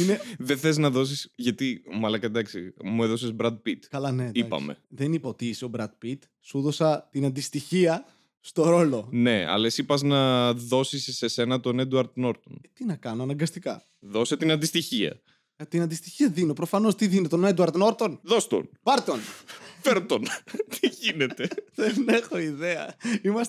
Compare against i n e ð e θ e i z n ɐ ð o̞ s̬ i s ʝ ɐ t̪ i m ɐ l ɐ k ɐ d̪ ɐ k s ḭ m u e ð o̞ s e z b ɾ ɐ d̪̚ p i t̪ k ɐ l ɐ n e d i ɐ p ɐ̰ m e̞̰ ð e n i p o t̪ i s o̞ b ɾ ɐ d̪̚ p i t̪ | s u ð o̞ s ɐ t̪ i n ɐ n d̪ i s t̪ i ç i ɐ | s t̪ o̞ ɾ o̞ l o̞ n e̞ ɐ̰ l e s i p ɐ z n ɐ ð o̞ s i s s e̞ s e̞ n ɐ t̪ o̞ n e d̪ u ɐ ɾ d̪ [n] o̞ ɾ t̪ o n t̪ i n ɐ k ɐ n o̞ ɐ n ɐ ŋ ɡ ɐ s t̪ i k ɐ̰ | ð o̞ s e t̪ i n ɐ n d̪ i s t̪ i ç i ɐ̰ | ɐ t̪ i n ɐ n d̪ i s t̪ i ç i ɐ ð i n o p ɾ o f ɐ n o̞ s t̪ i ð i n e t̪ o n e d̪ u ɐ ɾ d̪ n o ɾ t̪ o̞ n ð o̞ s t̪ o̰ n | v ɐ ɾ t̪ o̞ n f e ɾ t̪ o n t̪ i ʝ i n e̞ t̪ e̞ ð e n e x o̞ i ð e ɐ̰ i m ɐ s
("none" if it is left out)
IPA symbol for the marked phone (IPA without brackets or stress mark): n